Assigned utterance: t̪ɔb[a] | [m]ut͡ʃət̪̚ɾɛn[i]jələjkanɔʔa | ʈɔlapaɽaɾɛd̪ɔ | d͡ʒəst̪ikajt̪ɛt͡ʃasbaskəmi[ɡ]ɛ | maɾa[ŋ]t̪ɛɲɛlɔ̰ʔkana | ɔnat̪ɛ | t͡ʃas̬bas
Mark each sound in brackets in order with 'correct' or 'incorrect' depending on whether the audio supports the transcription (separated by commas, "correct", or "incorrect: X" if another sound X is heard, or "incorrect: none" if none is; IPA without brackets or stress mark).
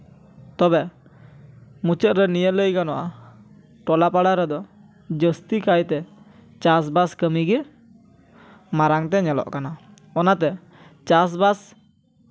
incorrect: ɛ, correct, correct, correct, correct